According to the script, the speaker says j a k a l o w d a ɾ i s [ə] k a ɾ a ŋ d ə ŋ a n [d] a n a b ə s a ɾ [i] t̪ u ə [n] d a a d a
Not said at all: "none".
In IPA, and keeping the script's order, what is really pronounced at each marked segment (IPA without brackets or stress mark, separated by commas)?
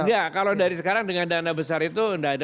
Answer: ə, d, i, n